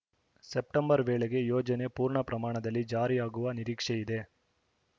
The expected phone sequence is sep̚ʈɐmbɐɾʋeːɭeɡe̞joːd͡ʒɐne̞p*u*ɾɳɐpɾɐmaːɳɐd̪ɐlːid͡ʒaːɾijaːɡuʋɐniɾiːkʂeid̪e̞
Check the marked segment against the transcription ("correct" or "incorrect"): incorrect